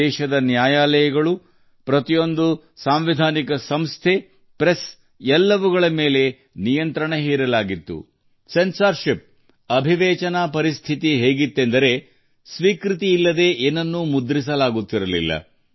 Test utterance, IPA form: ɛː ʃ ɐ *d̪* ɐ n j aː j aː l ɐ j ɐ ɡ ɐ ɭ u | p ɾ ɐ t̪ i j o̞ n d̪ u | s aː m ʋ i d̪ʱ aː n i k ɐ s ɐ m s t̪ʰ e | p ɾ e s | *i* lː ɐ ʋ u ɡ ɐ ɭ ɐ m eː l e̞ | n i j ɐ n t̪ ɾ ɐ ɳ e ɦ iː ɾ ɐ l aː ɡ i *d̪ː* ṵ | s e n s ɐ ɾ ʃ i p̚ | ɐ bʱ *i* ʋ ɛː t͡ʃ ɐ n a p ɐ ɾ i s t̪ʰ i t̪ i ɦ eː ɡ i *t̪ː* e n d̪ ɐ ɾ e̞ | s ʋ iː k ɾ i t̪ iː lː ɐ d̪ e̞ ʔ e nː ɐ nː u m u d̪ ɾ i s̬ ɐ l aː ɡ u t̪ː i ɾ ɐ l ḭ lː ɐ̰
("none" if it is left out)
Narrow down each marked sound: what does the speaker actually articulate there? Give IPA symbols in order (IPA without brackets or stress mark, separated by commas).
d̪, ɛ, t̪ː, i, t̪ː